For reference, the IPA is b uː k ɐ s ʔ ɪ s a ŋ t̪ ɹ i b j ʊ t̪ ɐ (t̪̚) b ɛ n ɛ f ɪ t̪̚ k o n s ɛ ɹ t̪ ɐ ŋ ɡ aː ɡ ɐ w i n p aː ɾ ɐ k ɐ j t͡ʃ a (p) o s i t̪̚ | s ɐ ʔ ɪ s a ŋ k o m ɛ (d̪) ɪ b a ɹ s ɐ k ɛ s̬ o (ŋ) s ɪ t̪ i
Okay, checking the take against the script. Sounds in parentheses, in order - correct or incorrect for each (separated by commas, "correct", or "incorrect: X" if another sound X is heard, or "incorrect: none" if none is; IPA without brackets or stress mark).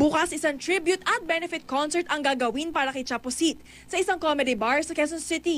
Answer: correct, correct, correct, incorrect: n